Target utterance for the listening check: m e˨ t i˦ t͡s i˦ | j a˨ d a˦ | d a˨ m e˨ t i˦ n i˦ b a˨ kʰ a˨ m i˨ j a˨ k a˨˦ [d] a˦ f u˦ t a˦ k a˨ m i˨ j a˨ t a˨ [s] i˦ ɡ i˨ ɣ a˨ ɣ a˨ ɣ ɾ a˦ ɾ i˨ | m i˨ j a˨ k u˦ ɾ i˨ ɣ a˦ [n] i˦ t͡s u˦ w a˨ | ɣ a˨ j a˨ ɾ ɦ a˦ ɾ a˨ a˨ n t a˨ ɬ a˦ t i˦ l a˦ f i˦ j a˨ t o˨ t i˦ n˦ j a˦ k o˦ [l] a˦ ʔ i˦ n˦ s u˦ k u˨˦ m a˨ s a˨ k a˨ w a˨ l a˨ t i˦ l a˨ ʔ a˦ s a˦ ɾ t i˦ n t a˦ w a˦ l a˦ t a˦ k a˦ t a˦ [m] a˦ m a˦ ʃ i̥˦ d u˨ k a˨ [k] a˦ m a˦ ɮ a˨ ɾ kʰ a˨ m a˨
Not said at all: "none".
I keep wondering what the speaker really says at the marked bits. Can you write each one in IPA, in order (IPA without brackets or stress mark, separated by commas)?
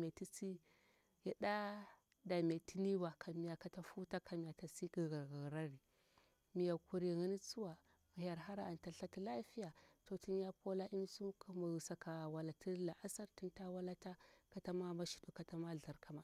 t, s, n, l, m, t